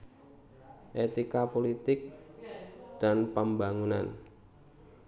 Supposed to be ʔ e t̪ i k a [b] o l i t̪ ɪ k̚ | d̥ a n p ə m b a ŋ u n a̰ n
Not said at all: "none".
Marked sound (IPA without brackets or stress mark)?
p